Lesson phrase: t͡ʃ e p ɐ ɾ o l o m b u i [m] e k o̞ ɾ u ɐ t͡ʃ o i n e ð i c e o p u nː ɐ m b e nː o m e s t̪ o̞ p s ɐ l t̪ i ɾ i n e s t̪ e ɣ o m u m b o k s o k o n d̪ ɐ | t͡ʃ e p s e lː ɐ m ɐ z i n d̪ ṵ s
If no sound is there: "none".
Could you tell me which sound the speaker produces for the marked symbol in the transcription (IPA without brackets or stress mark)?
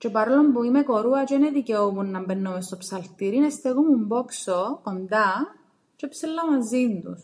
m